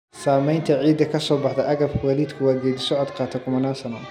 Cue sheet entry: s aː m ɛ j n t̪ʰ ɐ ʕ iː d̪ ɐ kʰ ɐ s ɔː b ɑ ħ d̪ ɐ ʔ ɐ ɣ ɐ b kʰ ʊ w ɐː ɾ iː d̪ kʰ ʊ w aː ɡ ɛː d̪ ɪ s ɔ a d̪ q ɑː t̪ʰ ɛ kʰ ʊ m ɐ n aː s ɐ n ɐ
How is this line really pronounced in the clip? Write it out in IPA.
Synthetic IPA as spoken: s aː m ɛ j n t̪ʰ ɐ ʕ iː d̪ ɐ kʰ ɐ s ɔː b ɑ ħ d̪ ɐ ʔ ɐ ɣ ɐ b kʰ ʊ w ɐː l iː d̪ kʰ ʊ w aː ɡ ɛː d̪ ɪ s ɔ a d̪ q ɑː t̪ʰ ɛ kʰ ʊ m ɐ n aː s ɐ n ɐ